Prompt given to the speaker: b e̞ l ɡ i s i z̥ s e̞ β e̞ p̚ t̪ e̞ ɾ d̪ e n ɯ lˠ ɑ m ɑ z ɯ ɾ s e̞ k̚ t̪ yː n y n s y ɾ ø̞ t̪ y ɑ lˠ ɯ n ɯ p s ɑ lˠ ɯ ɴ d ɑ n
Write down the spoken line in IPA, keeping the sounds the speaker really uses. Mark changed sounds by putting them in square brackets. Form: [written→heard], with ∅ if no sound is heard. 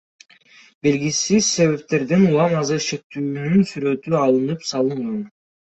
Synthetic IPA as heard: b e̞ l ɡ i s i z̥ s e̞ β e̞ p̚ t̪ e̞ ɾ d̪ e n [ɯ→u] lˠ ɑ m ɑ z ɯ ɾ [s→ʃ] e̞ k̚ t̪ yː n y n s y ɾ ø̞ t̪ y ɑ lˠ ɯ n ɯ p s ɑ lˠ ɯ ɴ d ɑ n